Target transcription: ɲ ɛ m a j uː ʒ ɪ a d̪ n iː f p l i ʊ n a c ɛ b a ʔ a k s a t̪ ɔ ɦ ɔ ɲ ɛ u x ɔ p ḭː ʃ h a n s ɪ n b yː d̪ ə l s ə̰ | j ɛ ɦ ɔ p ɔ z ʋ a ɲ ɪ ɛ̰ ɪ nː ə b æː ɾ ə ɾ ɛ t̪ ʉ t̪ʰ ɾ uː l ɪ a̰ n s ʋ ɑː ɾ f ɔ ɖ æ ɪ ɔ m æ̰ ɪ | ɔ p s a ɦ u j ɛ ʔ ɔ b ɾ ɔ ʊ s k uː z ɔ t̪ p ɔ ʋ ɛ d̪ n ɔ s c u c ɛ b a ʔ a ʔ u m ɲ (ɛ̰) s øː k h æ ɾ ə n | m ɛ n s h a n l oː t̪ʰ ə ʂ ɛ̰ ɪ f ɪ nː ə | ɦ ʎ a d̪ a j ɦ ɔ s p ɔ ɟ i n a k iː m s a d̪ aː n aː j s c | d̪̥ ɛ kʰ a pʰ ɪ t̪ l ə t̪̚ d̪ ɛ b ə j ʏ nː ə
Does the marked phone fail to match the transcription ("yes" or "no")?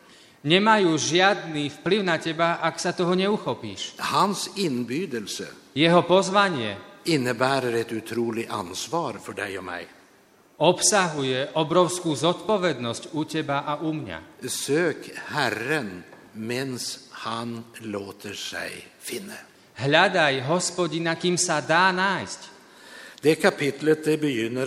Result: yes